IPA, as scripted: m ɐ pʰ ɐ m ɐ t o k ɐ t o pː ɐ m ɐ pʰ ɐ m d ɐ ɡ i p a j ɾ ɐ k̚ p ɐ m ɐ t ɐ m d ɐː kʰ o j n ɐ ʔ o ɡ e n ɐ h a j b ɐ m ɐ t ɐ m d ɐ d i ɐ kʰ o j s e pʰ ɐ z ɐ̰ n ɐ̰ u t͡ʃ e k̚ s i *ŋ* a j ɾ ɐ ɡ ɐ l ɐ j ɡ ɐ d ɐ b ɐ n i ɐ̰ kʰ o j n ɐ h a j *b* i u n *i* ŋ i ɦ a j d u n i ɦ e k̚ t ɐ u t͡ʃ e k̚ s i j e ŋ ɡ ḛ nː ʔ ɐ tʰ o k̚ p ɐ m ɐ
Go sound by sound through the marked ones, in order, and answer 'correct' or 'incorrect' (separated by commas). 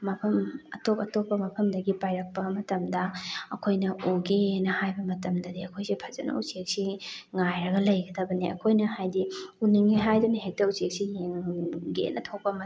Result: correct, incorrect, correct